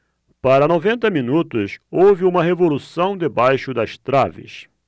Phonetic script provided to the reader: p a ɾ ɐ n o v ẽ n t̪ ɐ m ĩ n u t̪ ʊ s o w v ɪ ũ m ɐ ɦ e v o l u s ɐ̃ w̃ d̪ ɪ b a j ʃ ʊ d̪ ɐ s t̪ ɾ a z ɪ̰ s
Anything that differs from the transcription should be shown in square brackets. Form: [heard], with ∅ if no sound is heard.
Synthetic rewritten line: p a ɾ ɐ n o v ẽ n t̪ ɐ m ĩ n u t̪ ʊ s o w v ɪ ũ m ɐ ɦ e v o l u s ɐ̃ w̃ d̪ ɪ b a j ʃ ʊ d̪ ɐ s t̪ ɾ a [v] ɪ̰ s